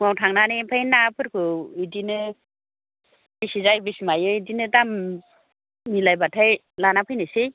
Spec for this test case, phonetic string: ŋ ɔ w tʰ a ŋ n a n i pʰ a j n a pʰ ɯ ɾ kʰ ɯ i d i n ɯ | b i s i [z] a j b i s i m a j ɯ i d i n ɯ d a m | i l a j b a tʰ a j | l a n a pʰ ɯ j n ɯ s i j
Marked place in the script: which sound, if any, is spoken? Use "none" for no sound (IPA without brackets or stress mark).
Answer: z